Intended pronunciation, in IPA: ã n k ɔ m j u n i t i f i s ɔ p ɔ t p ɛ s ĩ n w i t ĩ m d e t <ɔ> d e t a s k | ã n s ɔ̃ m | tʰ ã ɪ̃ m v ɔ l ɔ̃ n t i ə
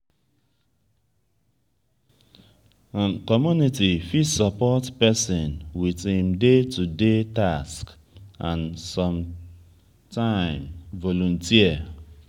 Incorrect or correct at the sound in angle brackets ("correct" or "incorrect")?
incorrect